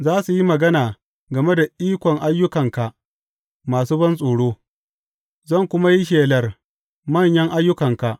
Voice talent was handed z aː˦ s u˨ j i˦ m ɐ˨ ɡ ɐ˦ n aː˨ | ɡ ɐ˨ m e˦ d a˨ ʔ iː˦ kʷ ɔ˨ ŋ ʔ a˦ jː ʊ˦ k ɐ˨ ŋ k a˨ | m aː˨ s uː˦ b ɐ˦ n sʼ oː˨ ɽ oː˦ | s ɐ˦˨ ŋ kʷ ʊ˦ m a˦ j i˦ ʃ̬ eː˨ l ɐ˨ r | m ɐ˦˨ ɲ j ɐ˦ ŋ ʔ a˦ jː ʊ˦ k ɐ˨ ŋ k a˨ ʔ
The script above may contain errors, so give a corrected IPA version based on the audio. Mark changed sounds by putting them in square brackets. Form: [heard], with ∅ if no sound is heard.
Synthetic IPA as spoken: z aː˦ s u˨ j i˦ m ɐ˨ ɡ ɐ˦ n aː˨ | ɡ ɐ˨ m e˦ d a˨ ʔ iː˦ kʷ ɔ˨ ŋ ʔ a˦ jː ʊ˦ k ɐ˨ ŋ k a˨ | m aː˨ s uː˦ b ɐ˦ n sʼ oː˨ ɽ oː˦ | [z] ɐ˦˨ ŋ kʷ ʊ˦ m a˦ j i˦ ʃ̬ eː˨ l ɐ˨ r | m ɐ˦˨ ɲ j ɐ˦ ŋ ʔ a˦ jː ʊ˦ k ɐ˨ ŋ k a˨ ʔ